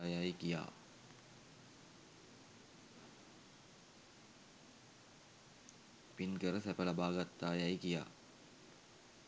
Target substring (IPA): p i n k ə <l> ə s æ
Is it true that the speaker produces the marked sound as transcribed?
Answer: no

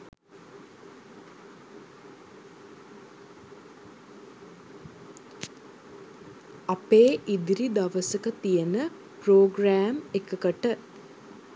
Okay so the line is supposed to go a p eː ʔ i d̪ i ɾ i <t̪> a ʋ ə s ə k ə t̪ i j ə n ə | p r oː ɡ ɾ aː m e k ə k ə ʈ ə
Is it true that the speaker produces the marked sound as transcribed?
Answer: no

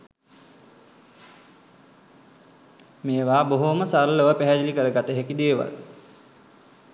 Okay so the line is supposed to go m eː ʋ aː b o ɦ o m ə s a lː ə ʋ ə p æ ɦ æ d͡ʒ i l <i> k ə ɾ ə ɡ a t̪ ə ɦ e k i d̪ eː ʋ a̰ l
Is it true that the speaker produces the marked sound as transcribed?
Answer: yes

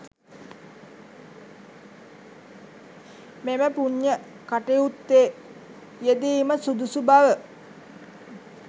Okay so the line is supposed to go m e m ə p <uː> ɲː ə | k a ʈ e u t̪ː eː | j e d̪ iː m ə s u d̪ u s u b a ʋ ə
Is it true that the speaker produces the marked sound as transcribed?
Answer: no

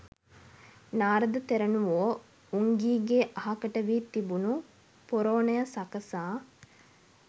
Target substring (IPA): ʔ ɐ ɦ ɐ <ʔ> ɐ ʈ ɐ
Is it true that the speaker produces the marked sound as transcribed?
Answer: no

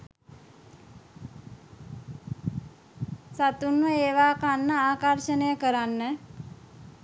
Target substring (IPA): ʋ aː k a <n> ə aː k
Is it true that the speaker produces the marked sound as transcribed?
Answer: no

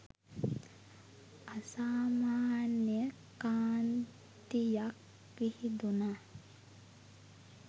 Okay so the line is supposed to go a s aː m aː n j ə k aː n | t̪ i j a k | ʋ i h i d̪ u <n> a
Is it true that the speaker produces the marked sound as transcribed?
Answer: yes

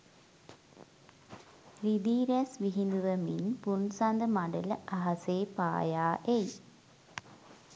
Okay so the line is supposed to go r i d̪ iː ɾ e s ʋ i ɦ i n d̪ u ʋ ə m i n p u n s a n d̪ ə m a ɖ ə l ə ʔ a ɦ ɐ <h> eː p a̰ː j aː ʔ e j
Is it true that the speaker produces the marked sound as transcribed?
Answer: no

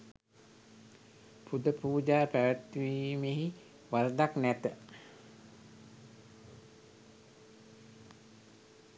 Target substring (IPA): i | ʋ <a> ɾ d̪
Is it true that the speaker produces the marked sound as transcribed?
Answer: yes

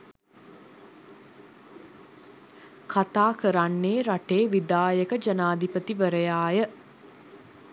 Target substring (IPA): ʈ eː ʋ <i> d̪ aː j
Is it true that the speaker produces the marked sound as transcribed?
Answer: yes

